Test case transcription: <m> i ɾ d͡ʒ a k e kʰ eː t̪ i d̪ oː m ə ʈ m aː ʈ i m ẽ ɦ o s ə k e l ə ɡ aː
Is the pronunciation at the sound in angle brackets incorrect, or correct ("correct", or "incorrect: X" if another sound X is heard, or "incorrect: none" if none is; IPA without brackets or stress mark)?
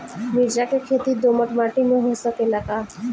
correct